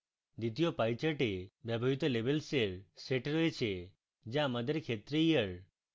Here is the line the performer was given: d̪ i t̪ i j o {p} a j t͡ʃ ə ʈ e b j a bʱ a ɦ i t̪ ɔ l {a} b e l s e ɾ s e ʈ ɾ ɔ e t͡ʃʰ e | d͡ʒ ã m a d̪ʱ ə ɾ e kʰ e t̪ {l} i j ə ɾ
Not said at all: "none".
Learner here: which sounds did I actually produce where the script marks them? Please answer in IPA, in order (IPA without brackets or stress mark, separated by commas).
p, e, ɾ